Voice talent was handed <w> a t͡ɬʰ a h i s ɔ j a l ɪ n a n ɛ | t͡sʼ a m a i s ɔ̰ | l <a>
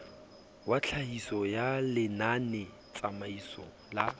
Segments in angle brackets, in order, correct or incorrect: correct, correct

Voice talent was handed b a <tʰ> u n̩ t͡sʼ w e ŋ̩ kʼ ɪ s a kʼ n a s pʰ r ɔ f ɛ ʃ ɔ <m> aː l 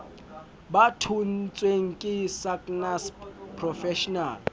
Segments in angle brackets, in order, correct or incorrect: correct, incorrect

